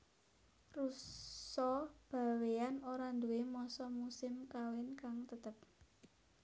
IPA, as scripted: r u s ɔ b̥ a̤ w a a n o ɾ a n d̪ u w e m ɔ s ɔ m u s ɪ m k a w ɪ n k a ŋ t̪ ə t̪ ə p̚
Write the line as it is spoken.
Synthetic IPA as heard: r u s ɔ b̥ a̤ w e a n o ɾ a n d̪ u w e m ɔ s ɔ m u s ɪ m k a w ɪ n k a ŋ t̪ ə t̪ ə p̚